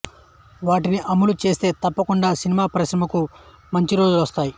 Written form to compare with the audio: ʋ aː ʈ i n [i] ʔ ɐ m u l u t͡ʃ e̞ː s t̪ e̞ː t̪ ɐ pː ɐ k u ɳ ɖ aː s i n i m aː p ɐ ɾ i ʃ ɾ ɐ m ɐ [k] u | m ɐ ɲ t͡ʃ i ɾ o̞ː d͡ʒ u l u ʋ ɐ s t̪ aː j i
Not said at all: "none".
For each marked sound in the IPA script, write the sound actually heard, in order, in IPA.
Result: i, k

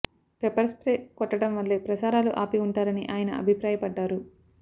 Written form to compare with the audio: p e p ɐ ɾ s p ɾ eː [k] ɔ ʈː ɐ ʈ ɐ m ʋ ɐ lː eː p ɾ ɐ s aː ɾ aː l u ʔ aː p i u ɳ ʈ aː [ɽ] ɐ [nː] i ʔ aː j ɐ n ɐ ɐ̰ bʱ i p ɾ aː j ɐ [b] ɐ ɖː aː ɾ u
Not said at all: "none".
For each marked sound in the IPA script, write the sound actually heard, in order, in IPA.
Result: k, ɾ, n, p

